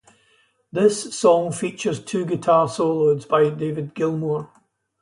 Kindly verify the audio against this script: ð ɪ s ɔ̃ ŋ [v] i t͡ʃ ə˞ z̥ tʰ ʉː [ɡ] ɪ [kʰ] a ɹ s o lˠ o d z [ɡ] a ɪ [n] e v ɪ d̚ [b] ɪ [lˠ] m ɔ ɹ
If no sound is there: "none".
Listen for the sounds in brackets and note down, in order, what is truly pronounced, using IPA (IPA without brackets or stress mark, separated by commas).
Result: f, ɡ, tʰ, b, d, ɡ, lˠ